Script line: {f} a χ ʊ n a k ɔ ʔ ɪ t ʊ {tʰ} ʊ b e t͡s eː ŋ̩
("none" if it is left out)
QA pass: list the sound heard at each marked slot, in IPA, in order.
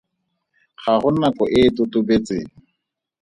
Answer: χ, t

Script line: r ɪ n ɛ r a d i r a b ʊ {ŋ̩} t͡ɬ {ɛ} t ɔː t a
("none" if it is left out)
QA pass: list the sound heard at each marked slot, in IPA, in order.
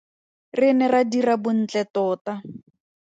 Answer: n̩, ɛ

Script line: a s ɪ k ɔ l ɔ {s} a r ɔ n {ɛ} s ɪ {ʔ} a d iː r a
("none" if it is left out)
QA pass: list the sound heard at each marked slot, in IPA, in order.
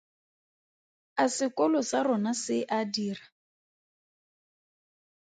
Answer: s, a, ʔ

